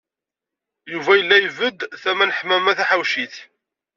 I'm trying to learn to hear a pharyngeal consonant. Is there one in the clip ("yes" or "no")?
yes